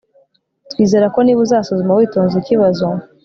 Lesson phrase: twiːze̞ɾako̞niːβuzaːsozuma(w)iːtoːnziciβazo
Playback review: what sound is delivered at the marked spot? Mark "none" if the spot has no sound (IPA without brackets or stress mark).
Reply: w